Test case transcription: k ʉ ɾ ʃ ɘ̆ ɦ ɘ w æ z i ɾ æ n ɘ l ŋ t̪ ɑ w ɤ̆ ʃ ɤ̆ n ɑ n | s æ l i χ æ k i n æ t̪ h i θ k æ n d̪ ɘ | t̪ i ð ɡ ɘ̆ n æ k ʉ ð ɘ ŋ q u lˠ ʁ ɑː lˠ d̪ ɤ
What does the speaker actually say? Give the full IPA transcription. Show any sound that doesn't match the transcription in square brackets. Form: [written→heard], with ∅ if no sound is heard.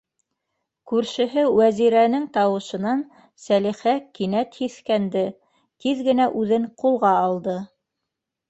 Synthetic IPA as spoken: k ʉ ɾ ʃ ɘ̆ ɦ ɘ w æ z i ɾ æ n ɘ [l→∅] ŋ t̪ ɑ w ɤ̆ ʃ ɤ̆ n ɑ n | s æ l i χ æ k i n æ t̪ h i θ k æ n d̪ ɘ | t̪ i ð ɡ ɘ̆ n æ [k→ʔ] ʉ ð ɘ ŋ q u lˠ ʁ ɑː lˠ d̪ ɤ

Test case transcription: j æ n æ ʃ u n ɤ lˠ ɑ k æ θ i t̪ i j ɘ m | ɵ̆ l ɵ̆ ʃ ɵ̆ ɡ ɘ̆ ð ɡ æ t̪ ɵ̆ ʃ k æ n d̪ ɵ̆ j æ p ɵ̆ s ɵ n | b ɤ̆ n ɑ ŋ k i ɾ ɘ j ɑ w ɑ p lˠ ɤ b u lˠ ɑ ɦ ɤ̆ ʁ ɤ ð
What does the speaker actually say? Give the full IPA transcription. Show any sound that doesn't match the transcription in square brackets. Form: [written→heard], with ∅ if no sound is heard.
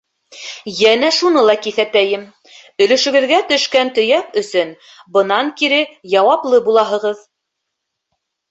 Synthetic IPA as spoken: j æ n æ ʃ u n ɤ lˠ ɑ k [æ→i] θ [i→æ] t̪ [i→æ] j ɘ m | ɵ̆ l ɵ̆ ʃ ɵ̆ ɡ ɘ̆ ð ɡ æ t̪ ɵ̆ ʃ k æ n [d̪→t̪] ɵ̆ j æ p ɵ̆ s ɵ n | b ɤ̆ n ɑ ŋ k i ɾ ɘ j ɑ w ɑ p lˠ ɤ b u lˠ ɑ ɦ ɤ̆ ʁ ɤ ð

